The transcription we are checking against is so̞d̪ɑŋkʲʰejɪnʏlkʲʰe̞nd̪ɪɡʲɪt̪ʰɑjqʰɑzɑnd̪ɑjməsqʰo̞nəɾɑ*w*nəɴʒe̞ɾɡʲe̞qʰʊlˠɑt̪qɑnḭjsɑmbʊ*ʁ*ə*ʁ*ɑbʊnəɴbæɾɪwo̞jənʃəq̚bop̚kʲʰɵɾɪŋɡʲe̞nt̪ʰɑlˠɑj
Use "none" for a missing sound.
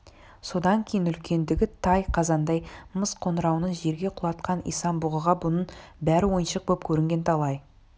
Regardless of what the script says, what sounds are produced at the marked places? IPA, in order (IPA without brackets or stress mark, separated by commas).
w, ʁ, ʁ